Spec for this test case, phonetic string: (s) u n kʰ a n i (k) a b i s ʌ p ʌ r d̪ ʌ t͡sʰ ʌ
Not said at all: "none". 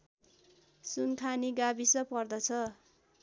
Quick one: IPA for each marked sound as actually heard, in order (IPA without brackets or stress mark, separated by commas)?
s, ɡ